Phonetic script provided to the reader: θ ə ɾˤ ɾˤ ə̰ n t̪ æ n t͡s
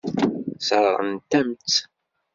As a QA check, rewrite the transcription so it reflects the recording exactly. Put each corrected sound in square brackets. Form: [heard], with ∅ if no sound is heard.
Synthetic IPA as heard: [s] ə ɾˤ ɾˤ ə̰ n t̪ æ [m] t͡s